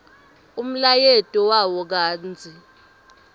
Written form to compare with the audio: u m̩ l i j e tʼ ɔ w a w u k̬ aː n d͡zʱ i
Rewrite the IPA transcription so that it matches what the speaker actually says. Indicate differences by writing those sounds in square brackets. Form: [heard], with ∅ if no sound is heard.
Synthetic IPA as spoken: u m̩ l [a] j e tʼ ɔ w a w [ɔ] k̬ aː n d͡zʱ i